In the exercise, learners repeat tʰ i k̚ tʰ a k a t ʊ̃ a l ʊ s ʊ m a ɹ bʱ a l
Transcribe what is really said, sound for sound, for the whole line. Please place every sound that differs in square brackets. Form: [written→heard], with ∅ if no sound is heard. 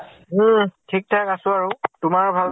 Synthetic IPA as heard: tʰ i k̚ tʰ a k a [t→s] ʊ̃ a [l→ɹ] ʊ [s→t] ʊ m a ɹ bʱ a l

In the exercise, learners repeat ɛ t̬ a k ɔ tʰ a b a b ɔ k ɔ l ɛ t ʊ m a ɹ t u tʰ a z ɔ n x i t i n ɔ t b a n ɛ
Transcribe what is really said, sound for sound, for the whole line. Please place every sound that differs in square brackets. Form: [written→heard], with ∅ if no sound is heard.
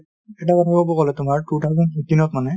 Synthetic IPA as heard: ɛ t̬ a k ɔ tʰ a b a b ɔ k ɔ l ɛ t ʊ m a ɹ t u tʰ a z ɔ n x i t i n ɔ t [b→m] a n ɛ

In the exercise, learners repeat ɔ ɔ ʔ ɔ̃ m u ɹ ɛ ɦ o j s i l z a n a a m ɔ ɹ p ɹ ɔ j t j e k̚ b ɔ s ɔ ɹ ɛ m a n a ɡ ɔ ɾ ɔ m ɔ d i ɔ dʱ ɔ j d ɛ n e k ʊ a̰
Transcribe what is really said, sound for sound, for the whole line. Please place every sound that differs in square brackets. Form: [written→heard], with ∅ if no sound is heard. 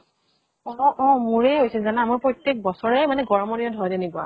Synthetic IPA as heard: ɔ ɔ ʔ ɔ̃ m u ɹ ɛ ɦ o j s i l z a n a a m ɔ ɹ p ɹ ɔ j t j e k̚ b ɔ s ɔ ɹ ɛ m a n [a→ɛ] ɡ ɔ [ɾ→ɹ] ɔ m ɔ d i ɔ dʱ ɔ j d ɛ n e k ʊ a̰

